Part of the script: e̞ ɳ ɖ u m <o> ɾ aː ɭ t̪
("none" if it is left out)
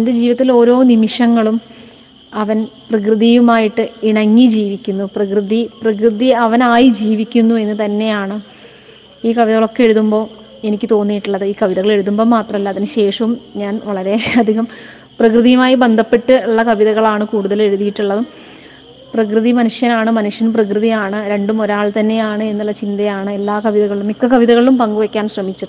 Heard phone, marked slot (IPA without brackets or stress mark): o